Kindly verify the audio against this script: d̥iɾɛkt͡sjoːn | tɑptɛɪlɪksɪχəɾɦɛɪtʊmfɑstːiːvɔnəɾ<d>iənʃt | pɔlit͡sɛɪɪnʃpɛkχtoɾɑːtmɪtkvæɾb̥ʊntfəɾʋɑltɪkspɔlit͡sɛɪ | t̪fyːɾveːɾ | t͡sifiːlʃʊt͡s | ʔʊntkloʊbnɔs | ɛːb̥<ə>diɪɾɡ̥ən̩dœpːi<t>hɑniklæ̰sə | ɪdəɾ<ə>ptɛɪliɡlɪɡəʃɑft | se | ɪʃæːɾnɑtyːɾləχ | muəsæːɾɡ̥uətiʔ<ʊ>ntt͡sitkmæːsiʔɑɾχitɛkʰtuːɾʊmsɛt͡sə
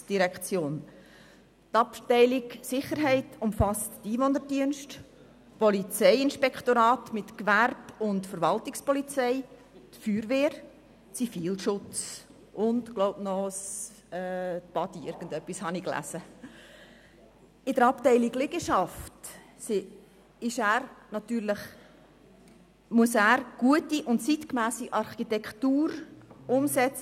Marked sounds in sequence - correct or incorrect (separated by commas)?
correct, incorrect, incorrect, incorrect, correct